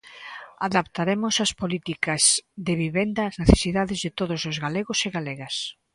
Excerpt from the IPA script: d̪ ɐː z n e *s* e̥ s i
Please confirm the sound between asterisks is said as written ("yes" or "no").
no